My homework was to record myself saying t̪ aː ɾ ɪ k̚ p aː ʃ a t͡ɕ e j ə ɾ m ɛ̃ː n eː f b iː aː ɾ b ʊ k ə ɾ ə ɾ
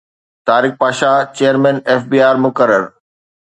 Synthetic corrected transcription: t̪ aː ɾ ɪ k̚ p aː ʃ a t͡ɕ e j ə ɾ m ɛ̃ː n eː f b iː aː ɾ m ʊ k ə ɾ ə ɾ